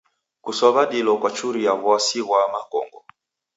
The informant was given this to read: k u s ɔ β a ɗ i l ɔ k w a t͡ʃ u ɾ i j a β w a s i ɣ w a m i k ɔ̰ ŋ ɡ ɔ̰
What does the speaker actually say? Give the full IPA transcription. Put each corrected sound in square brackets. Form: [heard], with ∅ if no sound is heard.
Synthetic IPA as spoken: k u s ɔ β a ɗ i l ɔ k w a t͡ʃ u ɾ i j a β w a s i ɣ w a m [a] k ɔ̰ ŋ ɡ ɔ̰